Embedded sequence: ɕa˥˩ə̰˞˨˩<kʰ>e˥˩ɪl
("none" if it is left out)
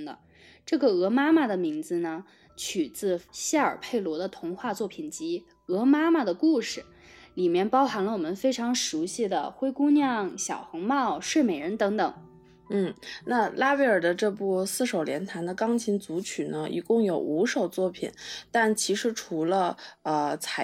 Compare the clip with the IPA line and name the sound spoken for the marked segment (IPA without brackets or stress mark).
pʰ